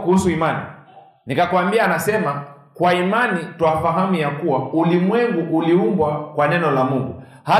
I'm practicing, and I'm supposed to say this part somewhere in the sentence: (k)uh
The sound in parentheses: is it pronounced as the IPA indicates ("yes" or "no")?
yes